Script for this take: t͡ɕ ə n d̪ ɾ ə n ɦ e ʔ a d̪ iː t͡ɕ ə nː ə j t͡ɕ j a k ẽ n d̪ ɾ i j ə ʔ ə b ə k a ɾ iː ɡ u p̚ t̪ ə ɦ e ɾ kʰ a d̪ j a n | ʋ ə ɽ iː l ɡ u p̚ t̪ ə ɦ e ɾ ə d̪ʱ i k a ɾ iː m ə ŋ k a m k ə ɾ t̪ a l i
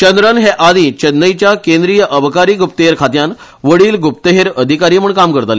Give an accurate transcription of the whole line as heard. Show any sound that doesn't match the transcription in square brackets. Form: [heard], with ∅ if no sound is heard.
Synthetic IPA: t͡ɕ ə n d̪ ɾ ə n ɦ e ʔ a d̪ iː t͡ɕ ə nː ə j t͡ɕ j a k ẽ n d̪ ɾ i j ə ʔ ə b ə k a ɾ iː ɡ u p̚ t̪ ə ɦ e ɾ kʰ a [t̪] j a n | ʋ ə ɽ iː l ɡ u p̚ t̪ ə ɦ e ɾ ə d̪ʱ i k a ɾ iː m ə [ɳ] k a m k ə ɾ t̪ a l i